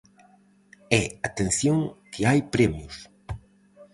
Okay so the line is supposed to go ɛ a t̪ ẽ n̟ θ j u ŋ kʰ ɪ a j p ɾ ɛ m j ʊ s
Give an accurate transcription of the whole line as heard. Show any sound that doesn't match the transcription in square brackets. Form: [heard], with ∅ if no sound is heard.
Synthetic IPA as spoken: ɛ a t̪ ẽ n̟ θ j [o] ŋ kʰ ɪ a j p ɾ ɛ m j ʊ s